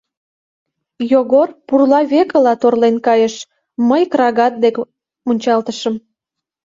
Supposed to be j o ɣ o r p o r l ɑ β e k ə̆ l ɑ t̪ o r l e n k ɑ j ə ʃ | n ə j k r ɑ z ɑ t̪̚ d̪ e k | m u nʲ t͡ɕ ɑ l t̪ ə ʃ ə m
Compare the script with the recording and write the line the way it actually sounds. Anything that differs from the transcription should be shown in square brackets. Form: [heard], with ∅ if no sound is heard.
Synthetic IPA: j o ɣ o r p [u] r l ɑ β e k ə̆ l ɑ t̪ o r l e n k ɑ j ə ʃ | [m] ə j k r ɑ [ɣ] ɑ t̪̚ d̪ e k | m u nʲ t͡ɕ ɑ l t̪ ə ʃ ə m